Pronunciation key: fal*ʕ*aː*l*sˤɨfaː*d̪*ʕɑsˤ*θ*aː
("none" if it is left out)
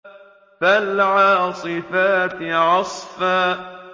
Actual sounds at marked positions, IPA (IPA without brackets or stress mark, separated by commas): ʕ, none, t̪, f